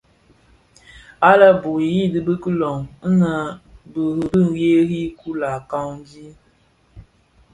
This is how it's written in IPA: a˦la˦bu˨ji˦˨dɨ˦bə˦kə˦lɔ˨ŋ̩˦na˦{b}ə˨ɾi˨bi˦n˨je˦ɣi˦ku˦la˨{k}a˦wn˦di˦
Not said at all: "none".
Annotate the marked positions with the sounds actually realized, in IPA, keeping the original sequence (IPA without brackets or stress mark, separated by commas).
b, k